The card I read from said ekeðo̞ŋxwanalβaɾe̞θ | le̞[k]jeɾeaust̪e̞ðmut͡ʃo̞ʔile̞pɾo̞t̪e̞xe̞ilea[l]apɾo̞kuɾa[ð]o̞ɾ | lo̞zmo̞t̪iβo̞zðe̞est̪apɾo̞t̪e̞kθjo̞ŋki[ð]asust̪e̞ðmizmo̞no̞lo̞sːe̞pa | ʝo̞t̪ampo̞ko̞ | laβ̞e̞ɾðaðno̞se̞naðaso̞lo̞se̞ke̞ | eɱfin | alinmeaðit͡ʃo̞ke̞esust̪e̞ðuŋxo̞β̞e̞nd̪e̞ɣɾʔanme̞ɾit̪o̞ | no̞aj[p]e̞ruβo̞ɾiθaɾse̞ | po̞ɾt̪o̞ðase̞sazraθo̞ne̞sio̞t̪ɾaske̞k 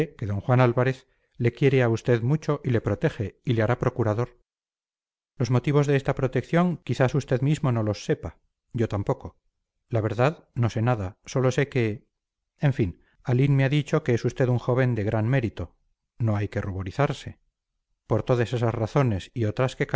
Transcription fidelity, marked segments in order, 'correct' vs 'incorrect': correct, incorrect: ɾ, correct, incorrect: θ, incorrect: k

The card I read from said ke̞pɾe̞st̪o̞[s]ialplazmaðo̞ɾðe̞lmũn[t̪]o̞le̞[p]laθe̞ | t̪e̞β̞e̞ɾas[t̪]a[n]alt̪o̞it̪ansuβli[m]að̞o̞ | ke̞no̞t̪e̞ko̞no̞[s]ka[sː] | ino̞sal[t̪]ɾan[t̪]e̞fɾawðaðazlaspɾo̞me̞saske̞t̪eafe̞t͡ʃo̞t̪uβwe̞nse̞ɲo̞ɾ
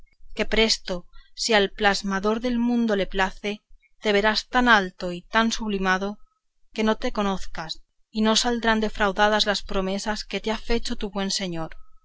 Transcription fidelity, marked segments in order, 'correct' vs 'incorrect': correct, incorrect: d̪, correct, correct, correct, correct, incorrect: θ, incorrect: s, incorrect: d̪, incorrect: d̪

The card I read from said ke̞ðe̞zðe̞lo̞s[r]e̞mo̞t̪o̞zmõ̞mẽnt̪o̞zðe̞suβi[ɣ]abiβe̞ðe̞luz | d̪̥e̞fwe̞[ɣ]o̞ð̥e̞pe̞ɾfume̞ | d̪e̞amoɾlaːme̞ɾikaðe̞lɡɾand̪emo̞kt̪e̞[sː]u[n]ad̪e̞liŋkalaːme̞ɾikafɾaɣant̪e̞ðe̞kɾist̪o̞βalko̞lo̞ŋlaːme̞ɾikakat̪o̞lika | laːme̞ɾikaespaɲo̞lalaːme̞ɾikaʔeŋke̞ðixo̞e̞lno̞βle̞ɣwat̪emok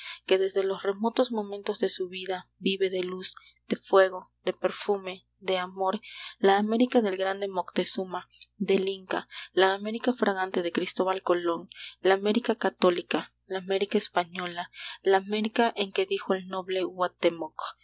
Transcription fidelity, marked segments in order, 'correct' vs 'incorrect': correct, incorrect: ð, correct, incorrect: s, incorrect: m

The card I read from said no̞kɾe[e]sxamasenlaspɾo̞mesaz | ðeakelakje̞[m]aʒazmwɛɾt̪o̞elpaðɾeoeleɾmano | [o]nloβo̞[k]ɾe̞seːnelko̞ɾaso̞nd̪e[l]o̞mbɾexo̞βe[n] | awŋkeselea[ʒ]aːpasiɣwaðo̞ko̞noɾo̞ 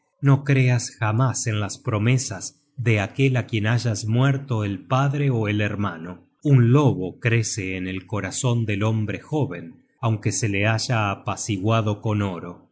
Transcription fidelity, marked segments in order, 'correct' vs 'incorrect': incorrect: a, incorrect: n, incorrect: u, correct, correct, correct, correct

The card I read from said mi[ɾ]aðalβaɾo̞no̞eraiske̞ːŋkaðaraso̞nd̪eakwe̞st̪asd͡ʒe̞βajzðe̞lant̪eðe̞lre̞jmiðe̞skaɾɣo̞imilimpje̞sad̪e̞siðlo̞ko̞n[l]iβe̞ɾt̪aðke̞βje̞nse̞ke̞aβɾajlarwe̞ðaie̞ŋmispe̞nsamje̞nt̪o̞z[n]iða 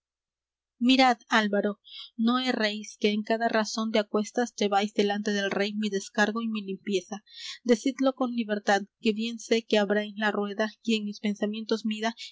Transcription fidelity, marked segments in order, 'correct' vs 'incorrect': correct, correct, incorrect: m

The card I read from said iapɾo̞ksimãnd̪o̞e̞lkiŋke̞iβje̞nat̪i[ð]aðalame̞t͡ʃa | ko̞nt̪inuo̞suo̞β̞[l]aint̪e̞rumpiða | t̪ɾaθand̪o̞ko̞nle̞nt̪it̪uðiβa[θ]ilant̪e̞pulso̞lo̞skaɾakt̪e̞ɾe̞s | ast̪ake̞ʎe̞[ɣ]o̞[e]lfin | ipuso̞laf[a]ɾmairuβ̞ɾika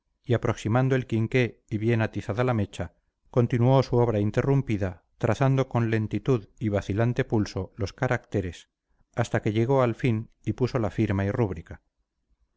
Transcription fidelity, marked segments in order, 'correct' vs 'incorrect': incorrect: θ, incorrect: ɾ, correct, correct, incorrect: a, incorrect: i

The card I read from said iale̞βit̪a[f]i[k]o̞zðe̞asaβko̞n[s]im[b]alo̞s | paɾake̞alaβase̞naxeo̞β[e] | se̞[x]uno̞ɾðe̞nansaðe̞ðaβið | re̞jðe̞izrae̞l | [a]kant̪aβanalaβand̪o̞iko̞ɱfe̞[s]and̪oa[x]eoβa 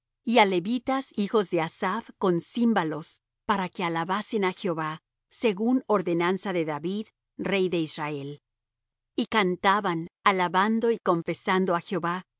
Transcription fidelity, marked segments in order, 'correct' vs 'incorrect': incorrect: s, incorrect: x, correct, correct, incorrect: a, incorrect: ɣ, incorrect: i, correct, correct

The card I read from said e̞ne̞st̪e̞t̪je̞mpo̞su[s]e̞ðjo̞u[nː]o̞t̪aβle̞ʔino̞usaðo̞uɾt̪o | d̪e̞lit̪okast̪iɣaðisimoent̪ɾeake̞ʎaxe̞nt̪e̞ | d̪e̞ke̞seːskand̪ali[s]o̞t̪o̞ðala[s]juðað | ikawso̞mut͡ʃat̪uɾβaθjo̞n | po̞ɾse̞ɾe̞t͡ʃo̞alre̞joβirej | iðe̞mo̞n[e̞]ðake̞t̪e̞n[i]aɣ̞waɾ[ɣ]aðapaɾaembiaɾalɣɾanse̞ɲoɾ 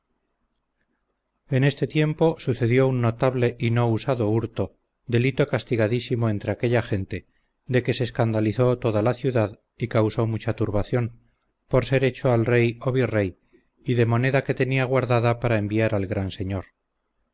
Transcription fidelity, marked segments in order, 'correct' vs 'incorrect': incorrect: θ, correct, incorrect: θ, incorrect: θ, correct, correct, incorrect: ð

